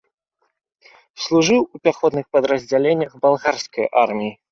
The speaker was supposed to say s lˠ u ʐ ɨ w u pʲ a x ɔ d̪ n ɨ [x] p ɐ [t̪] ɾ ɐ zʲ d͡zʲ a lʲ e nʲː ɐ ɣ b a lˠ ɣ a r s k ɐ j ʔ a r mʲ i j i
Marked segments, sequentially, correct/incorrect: correct, incorrect: d̪

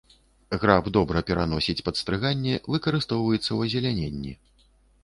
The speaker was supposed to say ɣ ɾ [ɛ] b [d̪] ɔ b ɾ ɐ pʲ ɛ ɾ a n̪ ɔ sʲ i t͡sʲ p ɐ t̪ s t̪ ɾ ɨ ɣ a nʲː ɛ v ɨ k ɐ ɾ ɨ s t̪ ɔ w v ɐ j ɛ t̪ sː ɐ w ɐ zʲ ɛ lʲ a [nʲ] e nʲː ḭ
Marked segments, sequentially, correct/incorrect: incorrect: a, correct, correct

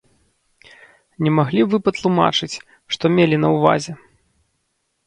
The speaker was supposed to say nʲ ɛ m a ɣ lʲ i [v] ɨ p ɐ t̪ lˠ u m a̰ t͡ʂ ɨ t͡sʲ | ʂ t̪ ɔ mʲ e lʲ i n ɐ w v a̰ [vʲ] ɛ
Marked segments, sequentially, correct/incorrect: correct, incorrect: zʲ

